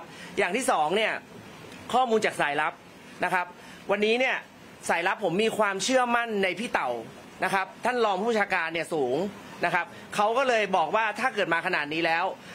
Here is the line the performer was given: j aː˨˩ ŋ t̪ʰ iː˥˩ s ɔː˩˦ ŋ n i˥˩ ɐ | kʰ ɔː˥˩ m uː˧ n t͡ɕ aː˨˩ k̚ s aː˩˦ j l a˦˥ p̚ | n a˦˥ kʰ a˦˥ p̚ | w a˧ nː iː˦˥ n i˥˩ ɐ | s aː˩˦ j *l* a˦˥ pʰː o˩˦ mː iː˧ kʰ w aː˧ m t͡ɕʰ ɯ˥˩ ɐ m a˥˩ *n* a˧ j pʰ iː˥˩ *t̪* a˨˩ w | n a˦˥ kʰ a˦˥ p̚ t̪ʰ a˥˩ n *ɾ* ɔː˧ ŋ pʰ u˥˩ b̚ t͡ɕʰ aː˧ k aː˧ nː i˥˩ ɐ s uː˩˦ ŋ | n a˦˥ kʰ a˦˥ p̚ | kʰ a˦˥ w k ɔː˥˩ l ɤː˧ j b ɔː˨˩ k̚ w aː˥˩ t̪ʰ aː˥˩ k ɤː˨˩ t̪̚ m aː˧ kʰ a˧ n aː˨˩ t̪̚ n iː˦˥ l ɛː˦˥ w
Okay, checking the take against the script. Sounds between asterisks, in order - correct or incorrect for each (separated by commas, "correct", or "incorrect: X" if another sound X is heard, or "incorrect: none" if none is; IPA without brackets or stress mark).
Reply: correct, incorrect: nː, correct, incorrect: l